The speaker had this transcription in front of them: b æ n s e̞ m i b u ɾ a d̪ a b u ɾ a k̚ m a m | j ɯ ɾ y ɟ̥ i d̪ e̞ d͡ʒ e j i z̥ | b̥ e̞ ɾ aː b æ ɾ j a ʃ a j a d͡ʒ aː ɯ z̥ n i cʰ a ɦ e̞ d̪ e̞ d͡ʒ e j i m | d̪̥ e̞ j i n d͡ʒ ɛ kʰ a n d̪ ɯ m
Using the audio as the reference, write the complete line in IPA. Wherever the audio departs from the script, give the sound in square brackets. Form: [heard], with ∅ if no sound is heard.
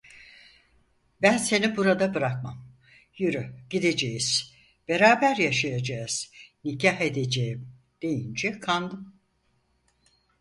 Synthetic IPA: b æ n s e̞ [n] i b u ɾ a d̪ a b [ɯ] ɾ a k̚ m a m | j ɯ ɾ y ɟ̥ i d̪ e̞ d͡ʒ e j i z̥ | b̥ e̞ ɾ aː b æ ɾ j a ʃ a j a d͡ʒ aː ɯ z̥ n i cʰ a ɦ e̞ d̪ e̞ d͡ʒ e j i m | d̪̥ e̞ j i n d͡ʒ ɛ kʰ a n d̪ ɯ m

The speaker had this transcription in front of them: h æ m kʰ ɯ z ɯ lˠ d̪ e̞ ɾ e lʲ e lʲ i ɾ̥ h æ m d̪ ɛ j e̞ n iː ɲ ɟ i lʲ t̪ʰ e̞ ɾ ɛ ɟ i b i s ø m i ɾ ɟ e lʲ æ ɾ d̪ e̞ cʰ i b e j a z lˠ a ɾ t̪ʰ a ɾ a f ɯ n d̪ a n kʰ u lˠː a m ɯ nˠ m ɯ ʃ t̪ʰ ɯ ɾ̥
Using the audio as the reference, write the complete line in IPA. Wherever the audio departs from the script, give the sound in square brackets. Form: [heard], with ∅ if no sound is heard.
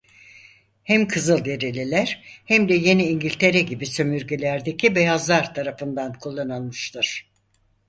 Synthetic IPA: h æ m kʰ ɯ z ɯ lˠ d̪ e̞ ɾ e lʲ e lʲ [æ] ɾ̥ h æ m d̪ ɛ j e̞ n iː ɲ ɟ i lʲ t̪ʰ e̞ ɾ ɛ ɟ i b i s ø m [y] ɾ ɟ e lʲ æ ɾ d̪ e̞ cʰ i b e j a z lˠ a ɾ t̪ʰ a ɾ a f ɯ n d̪ a n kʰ u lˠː a [n] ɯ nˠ m ɯ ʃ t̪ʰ ɯ ɾ̥

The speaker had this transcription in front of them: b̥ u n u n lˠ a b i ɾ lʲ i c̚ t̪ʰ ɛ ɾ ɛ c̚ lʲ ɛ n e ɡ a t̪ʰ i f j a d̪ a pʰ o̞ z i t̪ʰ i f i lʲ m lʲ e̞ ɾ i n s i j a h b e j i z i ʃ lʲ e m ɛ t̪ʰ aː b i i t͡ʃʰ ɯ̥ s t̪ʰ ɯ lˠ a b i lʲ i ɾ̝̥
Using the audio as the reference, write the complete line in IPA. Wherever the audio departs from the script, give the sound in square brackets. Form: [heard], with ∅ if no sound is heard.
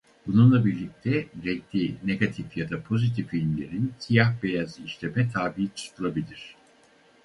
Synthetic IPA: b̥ u n u n lˠ a b i ɾ lʲ i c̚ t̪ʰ ɛ ɾ ɛ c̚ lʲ [i] n e ɡ a t̪ʰ i f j a d̪ a pʰ o̞ z i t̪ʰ i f i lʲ m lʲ e̞ ɾ i n s i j a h b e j [a] z i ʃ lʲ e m ɛ t̪ʰ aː b i i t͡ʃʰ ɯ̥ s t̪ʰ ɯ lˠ a b i lʲ i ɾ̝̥

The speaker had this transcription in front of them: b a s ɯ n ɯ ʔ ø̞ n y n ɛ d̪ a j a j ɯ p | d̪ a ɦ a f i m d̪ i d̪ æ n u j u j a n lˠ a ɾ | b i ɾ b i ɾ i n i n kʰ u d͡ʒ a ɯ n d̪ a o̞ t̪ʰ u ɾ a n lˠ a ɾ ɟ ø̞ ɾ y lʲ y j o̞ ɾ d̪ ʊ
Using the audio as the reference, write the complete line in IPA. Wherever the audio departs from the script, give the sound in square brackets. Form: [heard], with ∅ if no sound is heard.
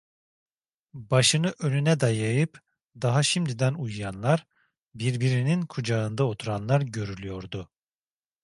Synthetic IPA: b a [ʃ] ɯ n ɯ ʔ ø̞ n y n ɛ d̪ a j a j ɯ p | d̪ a ɦ a [ʃ] i m d̪ i d̪ æ n u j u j a n lˠ a ɾ | b i ɾ b i ɾ i n i n kʰ u d͡ʒ a ɯ n d̪ a o̞ t̪ʰ u ɾ a n lˠ a ɾ ɟ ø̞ ɾ y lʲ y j o̞ ɾ d̪ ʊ

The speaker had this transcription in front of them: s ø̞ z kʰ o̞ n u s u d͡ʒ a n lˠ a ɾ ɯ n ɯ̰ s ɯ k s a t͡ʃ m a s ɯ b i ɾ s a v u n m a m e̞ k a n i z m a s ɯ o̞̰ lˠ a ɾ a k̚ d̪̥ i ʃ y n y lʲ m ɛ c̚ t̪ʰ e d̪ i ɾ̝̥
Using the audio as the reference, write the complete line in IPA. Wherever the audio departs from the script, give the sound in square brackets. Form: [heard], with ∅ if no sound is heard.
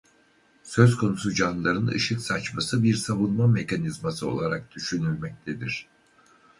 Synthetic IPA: s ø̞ z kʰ o̞ n u s u d͡ʒ a n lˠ a ɾ ɯ n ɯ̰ [ʃ] ɯ k s a t͡ʃ m a s ɯ b i ɾ s a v u n m a m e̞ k a n i z m a s ɯ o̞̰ lˠ a ɾ a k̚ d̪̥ [y] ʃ y n y lʲ m ɛ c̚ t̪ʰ e d̪ i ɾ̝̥

